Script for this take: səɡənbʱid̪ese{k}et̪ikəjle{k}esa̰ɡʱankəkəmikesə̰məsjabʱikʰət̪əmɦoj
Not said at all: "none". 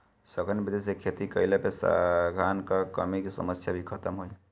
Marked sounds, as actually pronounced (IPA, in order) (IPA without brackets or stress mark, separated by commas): kʰ, p